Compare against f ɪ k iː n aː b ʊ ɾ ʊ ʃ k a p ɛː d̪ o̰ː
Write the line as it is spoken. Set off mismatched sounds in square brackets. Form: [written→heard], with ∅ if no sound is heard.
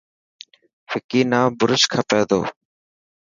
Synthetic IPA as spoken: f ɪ k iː n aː b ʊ ɾ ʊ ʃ [k→kʰ] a p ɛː d̪ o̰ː